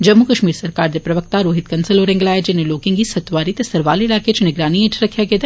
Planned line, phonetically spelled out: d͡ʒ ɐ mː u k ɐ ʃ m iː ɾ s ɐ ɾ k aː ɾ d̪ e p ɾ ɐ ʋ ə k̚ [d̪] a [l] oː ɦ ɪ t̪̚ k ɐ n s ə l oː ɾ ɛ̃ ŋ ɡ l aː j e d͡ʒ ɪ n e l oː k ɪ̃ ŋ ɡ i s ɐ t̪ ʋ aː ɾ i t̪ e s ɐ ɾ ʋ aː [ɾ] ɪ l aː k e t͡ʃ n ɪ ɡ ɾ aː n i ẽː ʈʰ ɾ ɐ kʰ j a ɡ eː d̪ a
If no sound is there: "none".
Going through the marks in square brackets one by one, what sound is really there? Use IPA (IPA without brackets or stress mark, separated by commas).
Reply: t̪, ɾ, l